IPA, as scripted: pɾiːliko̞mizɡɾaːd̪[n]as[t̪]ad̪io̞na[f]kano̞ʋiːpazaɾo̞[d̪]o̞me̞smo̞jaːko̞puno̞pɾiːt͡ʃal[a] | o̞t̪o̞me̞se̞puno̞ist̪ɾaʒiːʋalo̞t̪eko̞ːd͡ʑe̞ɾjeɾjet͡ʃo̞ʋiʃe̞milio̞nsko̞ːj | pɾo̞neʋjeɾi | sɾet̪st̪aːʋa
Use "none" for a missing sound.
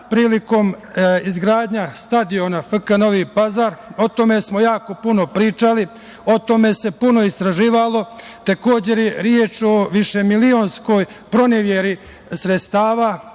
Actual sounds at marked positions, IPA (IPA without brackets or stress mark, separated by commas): ɲ, t̪, f, t̪, i